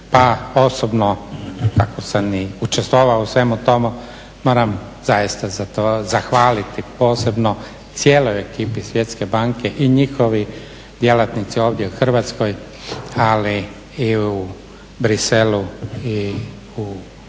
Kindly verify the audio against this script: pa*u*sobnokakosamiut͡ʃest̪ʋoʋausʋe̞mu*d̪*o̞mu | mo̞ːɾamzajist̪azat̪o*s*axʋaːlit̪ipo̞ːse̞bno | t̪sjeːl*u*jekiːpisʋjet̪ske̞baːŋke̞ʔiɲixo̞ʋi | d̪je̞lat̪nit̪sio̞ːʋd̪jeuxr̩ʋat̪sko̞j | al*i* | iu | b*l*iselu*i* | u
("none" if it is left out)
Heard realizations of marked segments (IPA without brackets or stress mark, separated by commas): o, t̪, z, o, i, ɾ, i